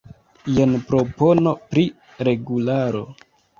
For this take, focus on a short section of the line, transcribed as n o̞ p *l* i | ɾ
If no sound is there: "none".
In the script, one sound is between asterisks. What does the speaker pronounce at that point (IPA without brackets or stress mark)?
ɾ